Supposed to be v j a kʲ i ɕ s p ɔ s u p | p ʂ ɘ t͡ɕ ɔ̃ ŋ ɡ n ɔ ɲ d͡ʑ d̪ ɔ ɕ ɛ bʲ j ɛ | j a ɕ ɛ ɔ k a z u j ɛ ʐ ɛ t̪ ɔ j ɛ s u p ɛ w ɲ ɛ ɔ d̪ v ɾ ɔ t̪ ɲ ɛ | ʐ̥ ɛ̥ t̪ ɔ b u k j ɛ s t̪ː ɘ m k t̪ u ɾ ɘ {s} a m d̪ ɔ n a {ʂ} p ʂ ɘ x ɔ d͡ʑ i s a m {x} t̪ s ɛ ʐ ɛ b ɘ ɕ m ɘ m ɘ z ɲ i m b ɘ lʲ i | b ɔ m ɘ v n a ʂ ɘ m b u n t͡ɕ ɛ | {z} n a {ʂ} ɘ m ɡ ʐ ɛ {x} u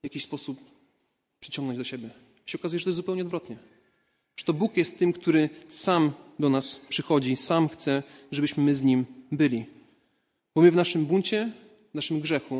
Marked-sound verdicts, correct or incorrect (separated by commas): correct, incorrect, correct, incorrect, correct, correct